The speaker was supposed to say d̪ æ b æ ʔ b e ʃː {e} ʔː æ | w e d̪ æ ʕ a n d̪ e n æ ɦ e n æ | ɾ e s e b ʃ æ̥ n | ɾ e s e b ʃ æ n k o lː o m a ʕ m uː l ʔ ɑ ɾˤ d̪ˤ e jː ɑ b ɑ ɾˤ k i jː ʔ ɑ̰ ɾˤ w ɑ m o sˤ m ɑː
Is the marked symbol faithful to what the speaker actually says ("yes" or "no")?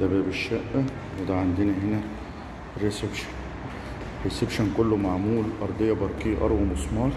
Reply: no